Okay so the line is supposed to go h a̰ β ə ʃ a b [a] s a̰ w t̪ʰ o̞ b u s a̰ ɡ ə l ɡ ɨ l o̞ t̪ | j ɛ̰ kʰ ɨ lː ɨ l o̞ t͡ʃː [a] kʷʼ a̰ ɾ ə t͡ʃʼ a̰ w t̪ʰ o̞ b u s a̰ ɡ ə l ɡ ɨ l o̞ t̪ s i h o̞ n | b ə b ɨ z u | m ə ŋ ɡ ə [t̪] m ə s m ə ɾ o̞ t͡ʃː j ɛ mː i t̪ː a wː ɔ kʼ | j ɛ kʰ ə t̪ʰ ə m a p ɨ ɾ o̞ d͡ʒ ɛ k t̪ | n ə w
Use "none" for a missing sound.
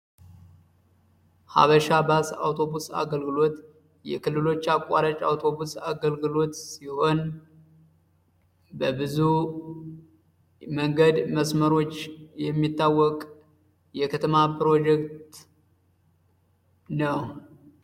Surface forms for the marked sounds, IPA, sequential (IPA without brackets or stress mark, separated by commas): a, a, d̪